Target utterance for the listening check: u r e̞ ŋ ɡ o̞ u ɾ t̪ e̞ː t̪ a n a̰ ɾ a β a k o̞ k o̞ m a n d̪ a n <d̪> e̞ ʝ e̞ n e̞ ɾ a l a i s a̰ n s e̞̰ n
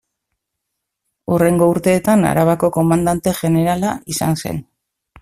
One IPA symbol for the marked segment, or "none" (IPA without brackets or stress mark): t̪